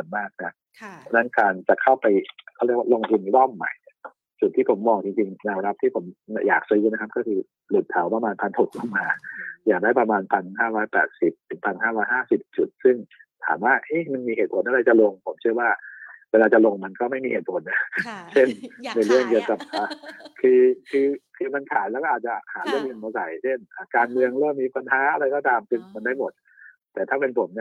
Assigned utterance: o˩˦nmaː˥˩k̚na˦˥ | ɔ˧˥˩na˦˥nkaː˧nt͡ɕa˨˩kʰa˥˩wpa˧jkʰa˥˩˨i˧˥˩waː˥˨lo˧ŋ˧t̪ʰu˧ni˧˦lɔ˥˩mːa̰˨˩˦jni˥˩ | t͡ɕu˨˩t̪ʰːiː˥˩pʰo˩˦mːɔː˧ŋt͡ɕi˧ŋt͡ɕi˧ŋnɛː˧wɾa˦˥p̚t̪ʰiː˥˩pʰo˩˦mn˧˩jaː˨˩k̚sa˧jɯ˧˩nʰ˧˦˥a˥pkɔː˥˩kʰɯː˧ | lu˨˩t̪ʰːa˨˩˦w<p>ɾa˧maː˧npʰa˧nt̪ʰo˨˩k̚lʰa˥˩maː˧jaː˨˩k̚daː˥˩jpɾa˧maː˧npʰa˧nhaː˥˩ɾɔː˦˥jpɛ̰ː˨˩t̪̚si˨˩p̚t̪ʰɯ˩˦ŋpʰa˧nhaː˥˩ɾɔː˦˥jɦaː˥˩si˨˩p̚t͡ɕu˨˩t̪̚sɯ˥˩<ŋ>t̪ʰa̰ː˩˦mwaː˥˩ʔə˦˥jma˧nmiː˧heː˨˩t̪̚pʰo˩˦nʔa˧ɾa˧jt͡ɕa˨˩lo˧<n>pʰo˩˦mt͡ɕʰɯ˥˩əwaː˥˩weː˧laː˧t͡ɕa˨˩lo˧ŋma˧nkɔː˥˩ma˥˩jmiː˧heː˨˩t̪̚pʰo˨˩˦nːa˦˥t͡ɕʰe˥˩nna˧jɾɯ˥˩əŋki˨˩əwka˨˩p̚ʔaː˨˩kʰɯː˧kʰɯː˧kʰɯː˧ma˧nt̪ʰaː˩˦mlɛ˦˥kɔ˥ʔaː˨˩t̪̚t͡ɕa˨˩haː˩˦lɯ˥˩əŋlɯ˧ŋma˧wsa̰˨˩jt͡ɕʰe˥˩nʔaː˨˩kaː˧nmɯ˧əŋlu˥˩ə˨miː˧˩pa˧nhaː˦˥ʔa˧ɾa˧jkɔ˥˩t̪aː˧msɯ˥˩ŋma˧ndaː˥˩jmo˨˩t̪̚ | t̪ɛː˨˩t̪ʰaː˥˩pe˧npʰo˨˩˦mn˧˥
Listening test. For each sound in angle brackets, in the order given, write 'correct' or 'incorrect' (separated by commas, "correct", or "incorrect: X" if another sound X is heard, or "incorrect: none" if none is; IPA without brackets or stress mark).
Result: correct, correct, incorrect: ŋ